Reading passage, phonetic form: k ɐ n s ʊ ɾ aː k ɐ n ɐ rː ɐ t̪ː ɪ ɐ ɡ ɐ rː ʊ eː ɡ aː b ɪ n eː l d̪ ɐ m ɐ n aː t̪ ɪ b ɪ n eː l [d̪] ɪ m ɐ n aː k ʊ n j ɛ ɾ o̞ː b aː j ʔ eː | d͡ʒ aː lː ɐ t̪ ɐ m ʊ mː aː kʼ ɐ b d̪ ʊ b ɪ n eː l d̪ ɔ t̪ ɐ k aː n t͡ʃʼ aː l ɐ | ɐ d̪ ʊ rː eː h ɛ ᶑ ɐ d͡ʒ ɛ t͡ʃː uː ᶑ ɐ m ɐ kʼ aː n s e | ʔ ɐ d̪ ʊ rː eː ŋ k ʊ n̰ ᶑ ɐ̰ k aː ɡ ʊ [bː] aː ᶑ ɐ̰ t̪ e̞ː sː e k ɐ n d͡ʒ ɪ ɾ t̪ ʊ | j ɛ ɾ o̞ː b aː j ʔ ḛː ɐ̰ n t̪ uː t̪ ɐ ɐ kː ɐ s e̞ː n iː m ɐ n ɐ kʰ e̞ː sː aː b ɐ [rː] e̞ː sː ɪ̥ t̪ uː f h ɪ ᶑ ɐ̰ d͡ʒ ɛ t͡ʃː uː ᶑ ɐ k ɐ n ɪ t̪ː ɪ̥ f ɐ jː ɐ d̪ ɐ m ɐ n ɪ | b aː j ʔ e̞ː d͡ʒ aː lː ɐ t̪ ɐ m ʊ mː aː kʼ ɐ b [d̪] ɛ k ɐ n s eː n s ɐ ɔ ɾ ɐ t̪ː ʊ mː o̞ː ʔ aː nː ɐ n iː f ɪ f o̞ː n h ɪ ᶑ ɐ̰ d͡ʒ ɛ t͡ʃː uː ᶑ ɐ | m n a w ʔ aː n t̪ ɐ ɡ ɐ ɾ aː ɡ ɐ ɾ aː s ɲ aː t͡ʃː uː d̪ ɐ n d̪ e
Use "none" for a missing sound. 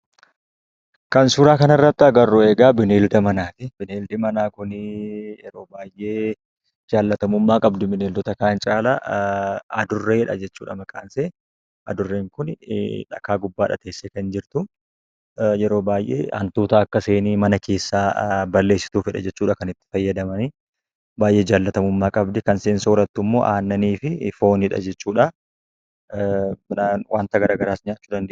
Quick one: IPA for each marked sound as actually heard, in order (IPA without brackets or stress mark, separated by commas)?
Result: d̪, bː, lː, d̪